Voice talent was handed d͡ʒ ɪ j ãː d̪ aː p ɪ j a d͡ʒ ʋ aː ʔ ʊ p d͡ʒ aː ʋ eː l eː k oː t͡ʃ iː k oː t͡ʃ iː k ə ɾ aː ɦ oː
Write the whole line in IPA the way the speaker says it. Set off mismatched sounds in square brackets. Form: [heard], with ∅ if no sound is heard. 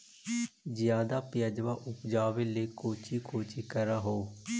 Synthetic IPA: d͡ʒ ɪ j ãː d̪ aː p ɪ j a d͡ʒ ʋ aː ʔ ʊ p d͡ʒ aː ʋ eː l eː k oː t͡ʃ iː k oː t͡ʃ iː k ə ɾ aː ɦ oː